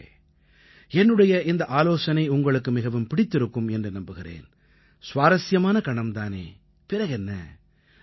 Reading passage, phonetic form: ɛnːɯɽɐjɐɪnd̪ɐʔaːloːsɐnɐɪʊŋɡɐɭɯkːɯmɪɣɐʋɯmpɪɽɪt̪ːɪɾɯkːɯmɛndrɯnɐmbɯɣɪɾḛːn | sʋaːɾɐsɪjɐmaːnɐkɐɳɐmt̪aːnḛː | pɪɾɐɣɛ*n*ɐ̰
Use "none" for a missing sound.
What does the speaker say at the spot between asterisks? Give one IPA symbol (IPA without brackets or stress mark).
nː